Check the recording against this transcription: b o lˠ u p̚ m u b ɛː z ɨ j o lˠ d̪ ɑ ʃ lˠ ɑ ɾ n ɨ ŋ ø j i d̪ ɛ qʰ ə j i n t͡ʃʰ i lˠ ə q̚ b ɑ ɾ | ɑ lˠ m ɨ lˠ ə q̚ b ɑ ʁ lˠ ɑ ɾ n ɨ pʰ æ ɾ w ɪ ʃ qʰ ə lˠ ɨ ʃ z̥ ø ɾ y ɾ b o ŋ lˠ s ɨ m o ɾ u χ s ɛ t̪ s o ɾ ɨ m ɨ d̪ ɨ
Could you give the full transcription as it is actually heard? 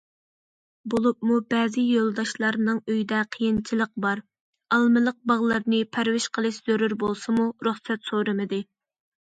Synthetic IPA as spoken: b o lˠ u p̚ m u b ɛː z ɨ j o lˠ d̪ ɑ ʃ lˠ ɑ ɾ n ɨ ŋ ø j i d̪ ɛ qʰ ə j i n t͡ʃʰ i lˠ ə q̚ b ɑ ɾ | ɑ lˠ m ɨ lˠ ə q̚ b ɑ ʁ lˠ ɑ ɾ n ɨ pʰ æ ɾ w ɪ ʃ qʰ ə lˠ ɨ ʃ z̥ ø ɾ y ɾ b o lˠ s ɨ m u ɾ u χ s ɛ t̪ s o ɾ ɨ m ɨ d̪ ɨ